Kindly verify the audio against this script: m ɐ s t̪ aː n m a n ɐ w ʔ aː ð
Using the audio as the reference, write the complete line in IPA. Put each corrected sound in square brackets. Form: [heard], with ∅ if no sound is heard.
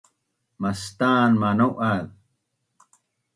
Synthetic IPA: m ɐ s t̪ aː n m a n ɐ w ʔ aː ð